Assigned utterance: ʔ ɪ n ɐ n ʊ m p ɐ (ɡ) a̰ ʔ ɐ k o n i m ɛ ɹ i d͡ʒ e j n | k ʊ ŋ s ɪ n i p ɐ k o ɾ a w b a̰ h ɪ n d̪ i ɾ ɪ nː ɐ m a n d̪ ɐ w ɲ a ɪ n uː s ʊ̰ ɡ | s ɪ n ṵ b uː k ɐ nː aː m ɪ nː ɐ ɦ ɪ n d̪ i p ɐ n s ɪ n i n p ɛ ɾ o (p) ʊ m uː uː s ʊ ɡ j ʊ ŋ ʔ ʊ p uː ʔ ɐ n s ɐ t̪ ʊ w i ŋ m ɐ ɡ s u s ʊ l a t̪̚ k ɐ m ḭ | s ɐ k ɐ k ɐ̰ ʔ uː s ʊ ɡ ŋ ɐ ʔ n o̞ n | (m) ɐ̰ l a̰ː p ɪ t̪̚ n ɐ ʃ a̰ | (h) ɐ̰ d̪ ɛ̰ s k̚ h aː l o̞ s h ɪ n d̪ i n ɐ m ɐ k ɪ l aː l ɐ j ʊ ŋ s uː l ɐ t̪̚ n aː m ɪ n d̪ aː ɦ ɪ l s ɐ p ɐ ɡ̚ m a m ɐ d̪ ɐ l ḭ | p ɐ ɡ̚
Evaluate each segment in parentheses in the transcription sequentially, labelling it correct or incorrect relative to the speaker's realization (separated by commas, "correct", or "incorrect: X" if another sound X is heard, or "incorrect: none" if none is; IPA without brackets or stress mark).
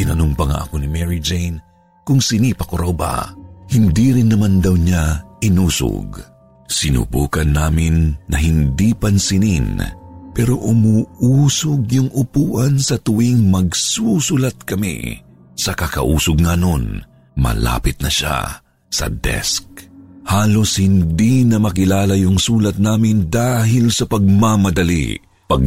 incorrect: ŋ, incorrect: ʔ, correct, incorrect: s